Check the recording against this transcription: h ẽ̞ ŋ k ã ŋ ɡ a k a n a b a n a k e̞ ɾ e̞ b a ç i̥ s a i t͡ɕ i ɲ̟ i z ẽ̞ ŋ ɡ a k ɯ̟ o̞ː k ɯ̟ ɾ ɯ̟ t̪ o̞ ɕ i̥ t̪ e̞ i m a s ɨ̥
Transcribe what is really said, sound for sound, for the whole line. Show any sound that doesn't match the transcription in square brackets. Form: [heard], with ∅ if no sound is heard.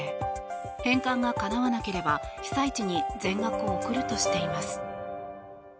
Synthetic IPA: h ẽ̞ ŋ k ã ŋ ɡ a k a n a [β] a n a k e̞ ɾ e̞ b a ç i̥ s a i t͡ɕ i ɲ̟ i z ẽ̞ ŋ ɡ a k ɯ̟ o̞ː k ɯ̟ ɾ ɯ̟ t̪ o̞ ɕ i̥ t̪ e̞ i m a s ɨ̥